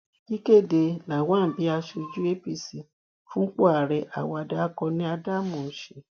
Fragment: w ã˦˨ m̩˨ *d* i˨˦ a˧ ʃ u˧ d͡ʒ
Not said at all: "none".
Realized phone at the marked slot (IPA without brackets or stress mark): b